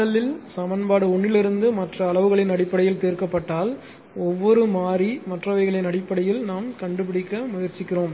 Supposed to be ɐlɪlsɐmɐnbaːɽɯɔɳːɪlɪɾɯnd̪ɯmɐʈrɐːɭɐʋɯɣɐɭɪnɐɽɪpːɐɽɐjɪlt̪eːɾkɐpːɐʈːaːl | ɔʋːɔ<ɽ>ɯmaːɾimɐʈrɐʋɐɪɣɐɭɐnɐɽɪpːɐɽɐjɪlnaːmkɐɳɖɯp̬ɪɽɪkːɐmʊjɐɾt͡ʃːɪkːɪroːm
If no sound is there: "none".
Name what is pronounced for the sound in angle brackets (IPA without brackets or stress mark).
ɾ